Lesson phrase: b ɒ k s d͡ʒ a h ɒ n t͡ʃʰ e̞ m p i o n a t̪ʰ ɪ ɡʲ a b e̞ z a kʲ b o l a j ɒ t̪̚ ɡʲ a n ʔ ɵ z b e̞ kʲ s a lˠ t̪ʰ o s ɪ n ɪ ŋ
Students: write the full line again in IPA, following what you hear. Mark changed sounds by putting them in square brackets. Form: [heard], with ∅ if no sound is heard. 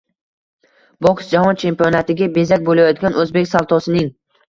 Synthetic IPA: b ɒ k s d͡ʒ a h ɒ n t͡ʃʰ e̞ m p i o n a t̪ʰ ɪ ɡʲ a b e̞ z a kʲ b o l a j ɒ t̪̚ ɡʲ a n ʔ ɵ z b e̞ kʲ s a lˠ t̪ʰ [ɒ] s ɪ n ɪ ŋ